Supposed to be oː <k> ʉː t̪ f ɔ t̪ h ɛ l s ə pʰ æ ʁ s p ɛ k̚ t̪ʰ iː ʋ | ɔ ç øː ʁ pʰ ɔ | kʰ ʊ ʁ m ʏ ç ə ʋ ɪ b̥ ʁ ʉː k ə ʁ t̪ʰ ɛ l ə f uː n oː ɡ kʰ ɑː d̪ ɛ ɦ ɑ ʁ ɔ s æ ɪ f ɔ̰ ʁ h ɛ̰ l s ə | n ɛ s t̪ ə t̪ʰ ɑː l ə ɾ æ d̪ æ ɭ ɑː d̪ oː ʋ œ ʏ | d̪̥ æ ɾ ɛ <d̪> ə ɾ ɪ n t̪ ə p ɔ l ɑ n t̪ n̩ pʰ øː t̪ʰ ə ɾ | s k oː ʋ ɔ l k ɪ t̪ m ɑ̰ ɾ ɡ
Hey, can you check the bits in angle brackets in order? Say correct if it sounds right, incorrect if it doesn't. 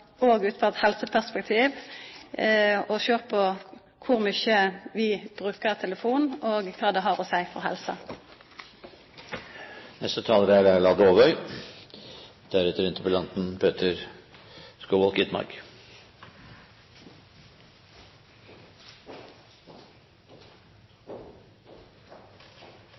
incorrect: ɡ, incorrect: t̪

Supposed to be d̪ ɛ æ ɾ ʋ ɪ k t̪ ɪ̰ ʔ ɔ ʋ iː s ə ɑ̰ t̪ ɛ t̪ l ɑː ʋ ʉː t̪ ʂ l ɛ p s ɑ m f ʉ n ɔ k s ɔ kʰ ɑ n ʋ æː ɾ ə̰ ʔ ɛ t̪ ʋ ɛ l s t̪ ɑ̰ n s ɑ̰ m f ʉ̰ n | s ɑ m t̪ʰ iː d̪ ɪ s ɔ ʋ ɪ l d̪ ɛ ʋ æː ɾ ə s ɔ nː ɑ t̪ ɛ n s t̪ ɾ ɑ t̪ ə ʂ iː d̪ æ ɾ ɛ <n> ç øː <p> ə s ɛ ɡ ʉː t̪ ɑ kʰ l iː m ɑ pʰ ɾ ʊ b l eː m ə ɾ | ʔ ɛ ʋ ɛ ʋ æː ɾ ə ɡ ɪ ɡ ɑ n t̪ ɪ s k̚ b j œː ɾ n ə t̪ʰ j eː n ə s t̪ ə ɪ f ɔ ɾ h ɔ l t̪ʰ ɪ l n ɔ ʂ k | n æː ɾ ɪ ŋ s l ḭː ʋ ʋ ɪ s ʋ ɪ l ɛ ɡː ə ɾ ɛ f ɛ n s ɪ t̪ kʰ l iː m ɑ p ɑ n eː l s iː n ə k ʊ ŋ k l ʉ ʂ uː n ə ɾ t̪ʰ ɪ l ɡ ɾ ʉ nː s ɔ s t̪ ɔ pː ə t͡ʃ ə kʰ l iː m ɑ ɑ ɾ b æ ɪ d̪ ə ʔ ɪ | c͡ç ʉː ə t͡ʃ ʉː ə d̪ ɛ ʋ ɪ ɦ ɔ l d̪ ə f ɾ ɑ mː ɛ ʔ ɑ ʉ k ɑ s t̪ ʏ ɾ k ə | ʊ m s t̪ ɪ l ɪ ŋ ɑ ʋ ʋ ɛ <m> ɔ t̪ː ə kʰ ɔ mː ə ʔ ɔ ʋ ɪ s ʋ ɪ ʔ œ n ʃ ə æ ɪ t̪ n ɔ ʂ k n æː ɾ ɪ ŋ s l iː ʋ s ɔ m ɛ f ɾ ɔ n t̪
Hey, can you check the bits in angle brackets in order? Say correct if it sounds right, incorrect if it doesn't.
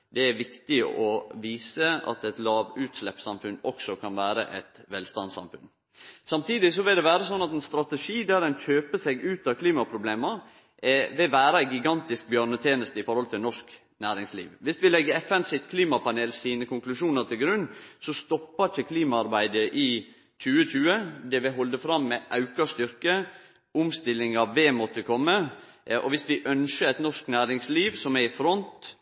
correct, correct, correct

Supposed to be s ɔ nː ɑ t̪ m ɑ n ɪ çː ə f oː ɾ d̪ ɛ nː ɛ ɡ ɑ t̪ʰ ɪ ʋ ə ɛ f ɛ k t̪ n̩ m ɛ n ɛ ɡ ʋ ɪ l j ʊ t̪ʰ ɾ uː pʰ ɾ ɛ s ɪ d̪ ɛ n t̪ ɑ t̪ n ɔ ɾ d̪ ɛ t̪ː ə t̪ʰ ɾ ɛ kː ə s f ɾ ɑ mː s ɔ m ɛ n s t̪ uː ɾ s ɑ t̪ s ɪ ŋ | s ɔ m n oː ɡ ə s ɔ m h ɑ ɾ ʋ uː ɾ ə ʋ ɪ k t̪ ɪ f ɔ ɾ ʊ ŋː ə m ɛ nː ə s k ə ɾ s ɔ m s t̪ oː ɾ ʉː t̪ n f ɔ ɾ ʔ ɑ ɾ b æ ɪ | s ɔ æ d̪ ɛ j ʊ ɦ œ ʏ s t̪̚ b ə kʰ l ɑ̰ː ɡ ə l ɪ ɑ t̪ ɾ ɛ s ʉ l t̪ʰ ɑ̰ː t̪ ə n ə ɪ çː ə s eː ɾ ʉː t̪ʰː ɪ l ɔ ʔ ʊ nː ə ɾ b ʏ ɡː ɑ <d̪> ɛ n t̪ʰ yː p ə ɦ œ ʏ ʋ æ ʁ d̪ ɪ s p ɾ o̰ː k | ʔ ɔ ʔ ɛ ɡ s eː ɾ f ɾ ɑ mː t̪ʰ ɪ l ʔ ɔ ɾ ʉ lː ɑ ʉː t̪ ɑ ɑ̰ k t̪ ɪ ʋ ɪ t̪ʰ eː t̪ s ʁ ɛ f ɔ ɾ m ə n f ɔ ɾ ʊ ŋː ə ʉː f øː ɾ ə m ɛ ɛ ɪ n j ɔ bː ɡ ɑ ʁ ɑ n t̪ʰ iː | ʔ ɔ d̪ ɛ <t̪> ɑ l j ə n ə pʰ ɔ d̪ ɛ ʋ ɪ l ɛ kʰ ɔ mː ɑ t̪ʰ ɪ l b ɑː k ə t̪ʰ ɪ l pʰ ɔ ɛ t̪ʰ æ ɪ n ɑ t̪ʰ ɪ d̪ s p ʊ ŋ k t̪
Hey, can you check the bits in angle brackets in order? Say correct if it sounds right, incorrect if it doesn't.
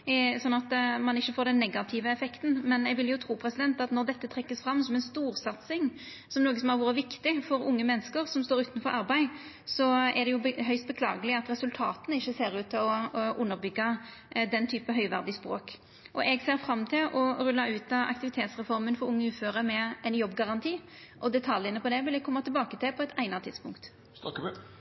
correct, incorrect: t̪ʰ

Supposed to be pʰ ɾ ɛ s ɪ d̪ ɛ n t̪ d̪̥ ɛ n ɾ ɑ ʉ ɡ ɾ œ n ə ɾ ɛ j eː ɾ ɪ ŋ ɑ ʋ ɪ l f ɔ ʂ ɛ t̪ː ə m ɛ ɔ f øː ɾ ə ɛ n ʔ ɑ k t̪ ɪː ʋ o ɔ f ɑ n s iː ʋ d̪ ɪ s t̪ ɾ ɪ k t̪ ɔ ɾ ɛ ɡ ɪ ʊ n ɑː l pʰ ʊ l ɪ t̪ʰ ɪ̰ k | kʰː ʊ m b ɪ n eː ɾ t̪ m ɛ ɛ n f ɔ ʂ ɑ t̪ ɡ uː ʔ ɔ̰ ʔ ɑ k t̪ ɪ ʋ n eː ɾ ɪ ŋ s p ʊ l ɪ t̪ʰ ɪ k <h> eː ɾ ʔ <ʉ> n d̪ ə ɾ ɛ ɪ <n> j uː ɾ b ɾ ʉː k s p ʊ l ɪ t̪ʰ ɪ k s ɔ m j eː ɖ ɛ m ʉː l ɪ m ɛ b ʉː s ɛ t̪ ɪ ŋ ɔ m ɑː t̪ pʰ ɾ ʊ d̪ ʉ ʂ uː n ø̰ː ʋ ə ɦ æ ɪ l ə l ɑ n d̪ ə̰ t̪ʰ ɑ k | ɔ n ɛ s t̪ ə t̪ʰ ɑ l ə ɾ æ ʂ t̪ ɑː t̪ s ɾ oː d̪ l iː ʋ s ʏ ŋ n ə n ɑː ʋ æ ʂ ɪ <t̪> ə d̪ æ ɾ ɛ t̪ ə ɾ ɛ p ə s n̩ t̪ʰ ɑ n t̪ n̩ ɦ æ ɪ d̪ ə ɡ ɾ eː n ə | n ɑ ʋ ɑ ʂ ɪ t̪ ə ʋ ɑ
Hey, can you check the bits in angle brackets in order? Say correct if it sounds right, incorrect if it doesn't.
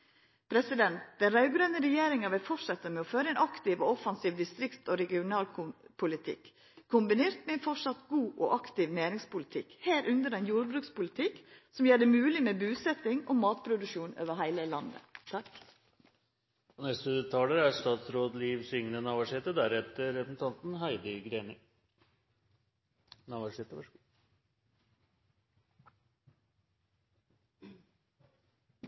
correct, correct, correct, correct

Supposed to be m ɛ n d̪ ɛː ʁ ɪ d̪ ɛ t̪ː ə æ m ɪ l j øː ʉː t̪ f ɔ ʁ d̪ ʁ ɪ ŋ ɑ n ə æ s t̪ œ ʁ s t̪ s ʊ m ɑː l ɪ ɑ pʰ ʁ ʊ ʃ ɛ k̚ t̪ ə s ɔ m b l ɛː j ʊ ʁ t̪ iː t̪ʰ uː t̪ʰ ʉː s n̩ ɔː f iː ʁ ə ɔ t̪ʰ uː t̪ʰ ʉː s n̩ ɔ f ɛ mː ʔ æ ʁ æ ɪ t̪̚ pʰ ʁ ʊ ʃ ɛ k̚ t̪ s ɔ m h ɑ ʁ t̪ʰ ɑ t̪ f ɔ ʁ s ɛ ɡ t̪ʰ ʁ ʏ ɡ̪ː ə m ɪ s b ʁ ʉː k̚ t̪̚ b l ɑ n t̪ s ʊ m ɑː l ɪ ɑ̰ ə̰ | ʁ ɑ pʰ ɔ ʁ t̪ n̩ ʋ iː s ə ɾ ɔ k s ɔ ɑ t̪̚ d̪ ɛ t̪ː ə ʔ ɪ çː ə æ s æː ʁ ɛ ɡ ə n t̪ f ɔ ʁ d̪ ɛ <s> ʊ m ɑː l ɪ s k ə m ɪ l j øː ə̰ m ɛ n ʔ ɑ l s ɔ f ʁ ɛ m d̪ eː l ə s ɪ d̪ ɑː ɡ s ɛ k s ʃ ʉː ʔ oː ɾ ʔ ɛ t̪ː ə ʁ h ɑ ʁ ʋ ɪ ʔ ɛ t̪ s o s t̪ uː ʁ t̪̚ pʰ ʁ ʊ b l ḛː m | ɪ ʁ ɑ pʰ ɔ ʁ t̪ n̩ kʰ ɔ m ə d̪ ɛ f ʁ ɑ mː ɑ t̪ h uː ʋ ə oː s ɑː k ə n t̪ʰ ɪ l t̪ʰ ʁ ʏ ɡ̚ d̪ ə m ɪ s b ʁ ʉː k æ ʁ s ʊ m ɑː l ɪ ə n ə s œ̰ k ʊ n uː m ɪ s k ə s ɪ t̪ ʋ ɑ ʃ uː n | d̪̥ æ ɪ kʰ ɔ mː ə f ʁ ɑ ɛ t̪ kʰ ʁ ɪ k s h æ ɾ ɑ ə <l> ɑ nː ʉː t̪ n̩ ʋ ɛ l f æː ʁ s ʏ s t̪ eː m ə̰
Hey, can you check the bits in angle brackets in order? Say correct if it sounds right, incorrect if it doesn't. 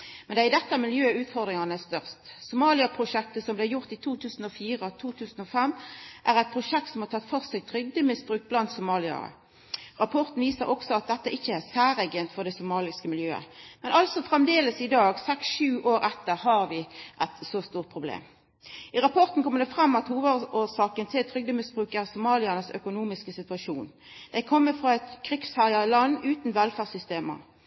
correct, correct

